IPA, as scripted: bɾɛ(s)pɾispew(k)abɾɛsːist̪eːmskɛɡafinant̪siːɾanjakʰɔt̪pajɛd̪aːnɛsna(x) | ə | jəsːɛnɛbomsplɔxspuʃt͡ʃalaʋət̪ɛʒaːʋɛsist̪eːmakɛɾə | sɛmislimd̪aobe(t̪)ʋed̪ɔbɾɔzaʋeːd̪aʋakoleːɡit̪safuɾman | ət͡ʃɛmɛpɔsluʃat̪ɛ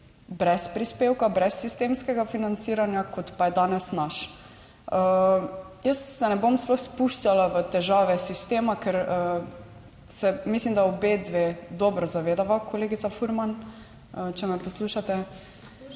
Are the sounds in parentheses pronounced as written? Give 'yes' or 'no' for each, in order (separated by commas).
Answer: yes, yes, no, no